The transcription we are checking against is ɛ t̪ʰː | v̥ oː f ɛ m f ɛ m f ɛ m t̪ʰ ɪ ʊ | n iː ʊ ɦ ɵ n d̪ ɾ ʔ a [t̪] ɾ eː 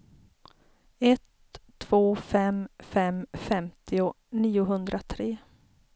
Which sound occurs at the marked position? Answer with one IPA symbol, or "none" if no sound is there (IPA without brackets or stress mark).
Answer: t̪ʰ